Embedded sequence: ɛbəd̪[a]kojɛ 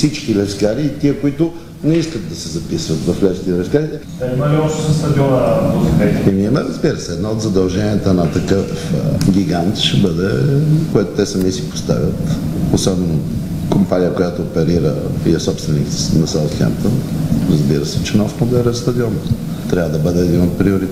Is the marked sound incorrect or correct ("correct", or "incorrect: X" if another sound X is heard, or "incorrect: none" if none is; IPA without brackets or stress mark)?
incorrect: ɛ